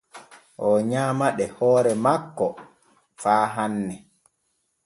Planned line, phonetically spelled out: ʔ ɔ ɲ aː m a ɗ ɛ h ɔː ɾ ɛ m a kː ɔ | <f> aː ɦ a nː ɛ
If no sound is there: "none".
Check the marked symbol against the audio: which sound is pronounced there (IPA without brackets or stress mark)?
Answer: f